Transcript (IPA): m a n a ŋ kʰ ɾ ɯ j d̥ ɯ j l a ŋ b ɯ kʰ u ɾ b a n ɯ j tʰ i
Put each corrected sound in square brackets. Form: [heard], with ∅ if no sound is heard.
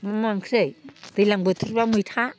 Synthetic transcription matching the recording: m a [m] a ŋ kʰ ɾ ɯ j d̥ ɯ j l a ŋ b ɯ [tʰ] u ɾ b a [m] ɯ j tʰ [a]